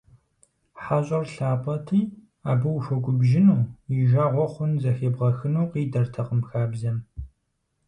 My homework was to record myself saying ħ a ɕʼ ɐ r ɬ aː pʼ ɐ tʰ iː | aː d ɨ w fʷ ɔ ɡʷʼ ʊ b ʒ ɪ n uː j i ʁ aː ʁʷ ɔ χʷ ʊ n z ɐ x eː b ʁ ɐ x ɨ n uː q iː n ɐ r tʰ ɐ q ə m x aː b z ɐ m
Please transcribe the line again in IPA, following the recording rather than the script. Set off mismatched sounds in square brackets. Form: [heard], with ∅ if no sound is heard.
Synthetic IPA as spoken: ħ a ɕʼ ɐ r ɬ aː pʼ ɐ tʰ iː | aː [b] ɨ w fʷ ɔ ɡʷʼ ʊ b ʒ ɪ n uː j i [ʒ] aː ʁʷ ɔ χʷ ʊ n z ɐ x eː b ʁ ɐ x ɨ n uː q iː [d] ɐ r tʰ ɐ q ə m x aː b z ɐ m